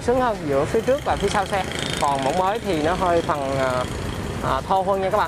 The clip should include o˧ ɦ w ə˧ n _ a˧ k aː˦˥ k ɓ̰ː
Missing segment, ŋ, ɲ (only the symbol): ɲ